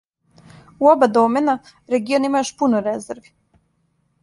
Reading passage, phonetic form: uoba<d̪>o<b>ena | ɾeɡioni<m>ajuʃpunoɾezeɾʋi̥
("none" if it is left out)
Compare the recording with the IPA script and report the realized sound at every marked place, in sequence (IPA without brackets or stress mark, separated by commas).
d̪, m, m